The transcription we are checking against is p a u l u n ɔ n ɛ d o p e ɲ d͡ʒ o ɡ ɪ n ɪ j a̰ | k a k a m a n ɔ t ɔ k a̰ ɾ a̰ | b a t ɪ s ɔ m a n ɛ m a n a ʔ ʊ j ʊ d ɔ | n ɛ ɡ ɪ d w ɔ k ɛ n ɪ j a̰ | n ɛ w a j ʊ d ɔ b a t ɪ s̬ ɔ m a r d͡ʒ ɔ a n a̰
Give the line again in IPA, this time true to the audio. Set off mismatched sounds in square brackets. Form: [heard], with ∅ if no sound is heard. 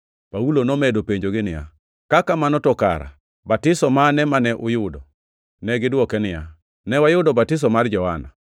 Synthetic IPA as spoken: p a u l [o] n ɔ [m] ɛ d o p e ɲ d͡ʒ o ɡ ɪ n ɪ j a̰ | k a k a m a n ɔ t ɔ k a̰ ɾ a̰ | b a t ɪ s ɔ m a n ɛ m a n [ɛ] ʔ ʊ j ʊ d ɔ | n ɛ ɡ ɪ d w ɔ k ɛ n ɪ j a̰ | n ɛ w a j ʊ d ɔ b a t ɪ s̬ ɔ m a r d͡ʒ ɔ a n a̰